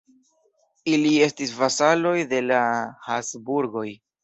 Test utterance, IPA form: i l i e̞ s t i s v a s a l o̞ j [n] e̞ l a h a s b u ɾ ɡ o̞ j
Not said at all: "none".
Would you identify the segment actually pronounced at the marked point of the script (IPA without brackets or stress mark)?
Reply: d